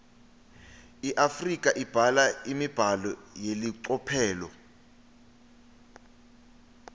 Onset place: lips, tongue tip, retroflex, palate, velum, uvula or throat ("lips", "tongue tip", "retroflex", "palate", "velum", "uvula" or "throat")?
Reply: throat